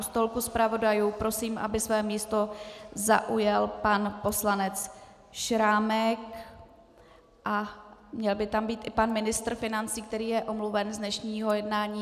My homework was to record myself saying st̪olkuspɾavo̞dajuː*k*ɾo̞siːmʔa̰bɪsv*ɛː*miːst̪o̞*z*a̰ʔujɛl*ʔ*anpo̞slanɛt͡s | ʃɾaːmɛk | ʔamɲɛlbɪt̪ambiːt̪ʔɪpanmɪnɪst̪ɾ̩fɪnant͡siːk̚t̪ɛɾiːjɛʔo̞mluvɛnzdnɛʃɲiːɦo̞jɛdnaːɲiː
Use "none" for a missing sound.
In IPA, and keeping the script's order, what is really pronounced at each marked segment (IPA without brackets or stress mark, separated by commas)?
p, ɛː, z, p